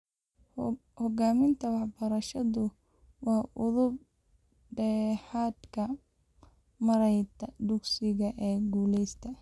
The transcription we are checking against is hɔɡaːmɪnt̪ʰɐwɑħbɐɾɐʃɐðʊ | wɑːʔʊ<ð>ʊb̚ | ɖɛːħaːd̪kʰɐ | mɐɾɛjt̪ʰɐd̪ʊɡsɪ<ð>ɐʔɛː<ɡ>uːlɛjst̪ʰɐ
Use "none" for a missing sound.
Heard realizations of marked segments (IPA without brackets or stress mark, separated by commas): ð, ɣ, ɡ